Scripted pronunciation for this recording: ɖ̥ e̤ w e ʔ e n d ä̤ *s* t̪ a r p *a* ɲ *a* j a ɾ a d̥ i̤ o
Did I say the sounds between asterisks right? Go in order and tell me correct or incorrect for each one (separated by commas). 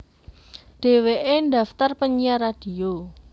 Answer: incorrect, incorrect, incorrect